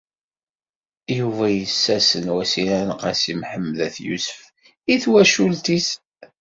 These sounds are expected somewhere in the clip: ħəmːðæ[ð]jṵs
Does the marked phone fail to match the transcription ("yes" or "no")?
yes